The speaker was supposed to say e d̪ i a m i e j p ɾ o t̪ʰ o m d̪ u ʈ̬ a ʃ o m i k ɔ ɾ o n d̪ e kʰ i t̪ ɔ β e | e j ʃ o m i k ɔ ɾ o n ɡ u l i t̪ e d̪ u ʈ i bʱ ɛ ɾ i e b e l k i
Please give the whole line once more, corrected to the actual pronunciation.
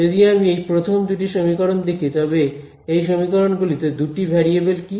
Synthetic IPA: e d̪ i a m i e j p ɾ o t̪ʰ o m d̪ u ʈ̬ i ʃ o m i k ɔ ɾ o n d̪ e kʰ i t̪ ɔ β e | e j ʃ o m i k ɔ ɾ o n ɡ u l i t̪ e d̪ u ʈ i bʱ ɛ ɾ i e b e l k i